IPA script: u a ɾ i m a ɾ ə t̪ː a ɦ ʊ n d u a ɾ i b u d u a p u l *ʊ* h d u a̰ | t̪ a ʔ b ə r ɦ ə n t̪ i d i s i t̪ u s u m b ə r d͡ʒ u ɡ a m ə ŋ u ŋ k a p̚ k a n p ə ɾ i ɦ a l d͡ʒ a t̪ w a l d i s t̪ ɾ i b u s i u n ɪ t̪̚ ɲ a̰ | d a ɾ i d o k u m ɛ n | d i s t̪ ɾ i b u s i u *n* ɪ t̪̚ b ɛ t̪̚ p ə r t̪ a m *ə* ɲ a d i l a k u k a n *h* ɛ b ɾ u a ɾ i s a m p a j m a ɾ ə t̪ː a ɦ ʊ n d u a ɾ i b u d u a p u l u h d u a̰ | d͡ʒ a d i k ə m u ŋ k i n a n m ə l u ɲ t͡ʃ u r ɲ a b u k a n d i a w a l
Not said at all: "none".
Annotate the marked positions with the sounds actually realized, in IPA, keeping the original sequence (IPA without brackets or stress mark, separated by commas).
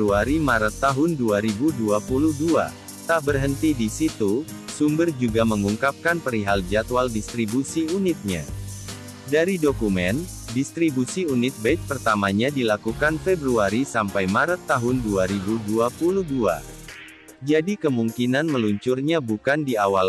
u, n, a, f